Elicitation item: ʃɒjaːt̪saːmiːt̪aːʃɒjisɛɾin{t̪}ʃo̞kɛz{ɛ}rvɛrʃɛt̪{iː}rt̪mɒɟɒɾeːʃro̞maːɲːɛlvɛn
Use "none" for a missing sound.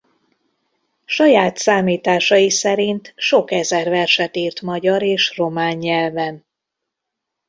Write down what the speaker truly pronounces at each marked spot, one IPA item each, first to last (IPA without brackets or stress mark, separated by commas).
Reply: t̪, ɛ, iː